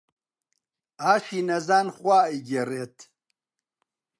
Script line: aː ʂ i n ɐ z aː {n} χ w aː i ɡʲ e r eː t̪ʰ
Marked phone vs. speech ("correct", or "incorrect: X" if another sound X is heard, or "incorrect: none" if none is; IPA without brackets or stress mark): correct